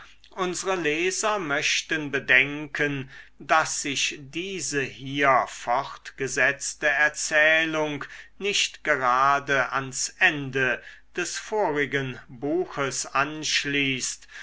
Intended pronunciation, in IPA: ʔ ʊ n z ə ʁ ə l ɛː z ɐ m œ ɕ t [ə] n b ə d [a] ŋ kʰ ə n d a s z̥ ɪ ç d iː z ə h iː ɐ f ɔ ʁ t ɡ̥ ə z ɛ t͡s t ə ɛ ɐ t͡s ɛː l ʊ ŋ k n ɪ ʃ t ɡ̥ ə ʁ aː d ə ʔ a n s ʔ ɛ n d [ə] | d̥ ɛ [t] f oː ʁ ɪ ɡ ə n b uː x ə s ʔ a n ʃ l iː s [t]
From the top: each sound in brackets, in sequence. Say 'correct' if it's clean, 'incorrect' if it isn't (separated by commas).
correct, incorrect, correct, incorrect, correct